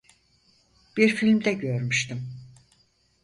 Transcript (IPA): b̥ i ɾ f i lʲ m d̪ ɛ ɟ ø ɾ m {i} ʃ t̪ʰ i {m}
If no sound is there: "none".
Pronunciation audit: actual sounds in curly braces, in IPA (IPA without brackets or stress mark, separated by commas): y, m